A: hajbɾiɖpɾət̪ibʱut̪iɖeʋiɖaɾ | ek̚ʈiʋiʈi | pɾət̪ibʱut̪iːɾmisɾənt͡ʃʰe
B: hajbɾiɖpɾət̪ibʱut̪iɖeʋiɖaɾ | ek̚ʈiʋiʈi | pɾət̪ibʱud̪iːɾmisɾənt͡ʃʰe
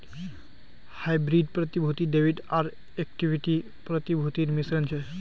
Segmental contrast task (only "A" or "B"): A